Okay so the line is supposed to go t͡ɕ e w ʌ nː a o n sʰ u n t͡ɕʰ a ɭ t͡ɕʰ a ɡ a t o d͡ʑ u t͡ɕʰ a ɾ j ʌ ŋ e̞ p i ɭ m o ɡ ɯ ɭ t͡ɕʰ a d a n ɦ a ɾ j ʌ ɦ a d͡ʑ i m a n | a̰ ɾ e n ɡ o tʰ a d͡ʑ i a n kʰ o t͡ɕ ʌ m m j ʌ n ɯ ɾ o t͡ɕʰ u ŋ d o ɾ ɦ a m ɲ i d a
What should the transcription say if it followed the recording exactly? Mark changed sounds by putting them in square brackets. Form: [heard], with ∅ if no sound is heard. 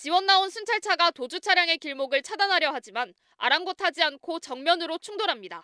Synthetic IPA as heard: t͡ɕ [i] w ʌ nː a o n sʰ u n t͡ɕʰ a ɭ t͡ɕʰ a ɡ a t o d͡ʑ u t͡ɕʰ a ɾ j [a] ŋ e̞ [k] i ɭ m o ɡ ɯ ɭ t͡ɕʰ a d a n ɦ a ɾ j ʌ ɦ a d͡ʑ i m a n | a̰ ɾ [a] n ɡ o tʰ a d͡ʑ i a n kʰ o t͡ɕ ʌ [ŋ] m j ʌ n ɯ ɾ o t͡ɕʰ u ŋ d o ɾ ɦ a m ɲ i d a